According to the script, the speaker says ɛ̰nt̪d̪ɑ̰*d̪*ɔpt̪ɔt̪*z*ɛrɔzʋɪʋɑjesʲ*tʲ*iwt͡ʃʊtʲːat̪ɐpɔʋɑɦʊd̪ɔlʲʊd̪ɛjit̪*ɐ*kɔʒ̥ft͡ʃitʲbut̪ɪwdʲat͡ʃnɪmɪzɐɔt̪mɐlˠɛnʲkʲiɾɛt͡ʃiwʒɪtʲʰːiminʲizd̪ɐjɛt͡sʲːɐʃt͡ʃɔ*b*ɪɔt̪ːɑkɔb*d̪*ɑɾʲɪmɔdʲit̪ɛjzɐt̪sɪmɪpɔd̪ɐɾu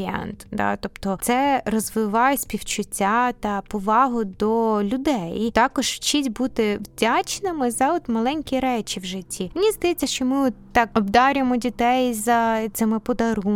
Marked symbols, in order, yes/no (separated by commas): no, no, no, no, no, yes